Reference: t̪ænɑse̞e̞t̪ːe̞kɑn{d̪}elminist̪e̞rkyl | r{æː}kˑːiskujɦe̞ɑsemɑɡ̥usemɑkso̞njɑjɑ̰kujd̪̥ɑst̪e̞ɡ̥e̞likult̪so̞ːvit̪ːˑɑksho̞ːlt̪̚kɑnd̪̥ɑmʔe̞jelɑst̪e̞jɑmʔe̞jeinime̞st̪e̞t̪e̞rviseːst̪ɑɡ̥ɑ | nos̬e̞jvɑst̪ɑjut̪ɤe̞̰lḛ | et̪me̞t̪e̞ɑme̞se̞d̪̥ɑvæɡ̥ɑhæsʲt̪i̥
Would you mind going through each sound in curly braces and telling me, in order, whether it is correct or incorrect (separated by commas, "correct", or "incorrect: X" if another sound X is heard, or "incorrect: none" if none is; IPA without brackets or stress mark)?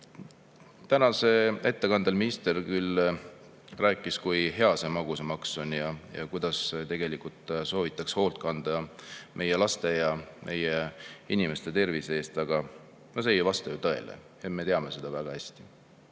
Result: correct, correct